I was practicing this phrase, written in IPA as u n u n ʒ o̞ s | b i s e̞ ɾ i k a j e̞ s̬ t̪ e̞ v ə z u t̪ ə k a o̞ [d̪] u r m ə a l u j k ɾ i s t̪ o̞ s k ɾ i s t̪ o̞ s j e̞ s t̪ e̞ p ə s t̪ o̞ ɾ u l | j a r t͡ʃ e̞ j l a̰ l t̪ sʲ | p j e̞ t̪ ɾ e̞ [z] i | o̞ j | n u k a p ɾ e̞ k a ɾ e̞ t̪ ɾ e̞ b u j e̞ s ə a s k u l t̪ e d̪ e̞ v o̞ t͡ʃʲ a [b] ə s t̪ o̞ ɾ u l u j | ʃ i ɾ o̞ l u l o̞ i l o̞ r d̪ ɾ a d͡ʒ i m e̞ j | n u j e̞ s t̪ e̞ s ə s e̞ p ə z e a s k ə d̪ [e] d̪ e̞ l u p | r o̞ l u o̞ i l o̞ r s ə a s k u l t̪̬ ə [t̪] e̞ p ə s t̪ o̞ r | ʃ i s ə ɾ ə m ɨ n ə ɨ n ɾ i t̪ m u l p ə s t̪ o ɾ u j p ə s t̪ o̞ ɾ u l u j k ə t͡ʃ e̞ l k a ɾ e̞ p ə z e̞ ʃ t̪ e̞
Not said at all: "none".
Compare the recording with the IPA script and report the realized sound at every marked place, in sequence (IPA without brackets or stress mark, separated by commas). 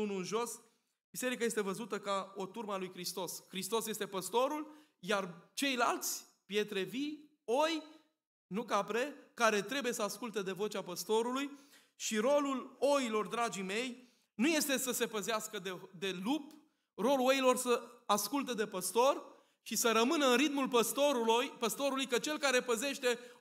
t̪, v, p, e, d̪